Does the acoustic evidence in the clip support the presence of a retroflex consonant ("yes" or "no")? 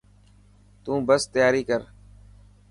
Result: no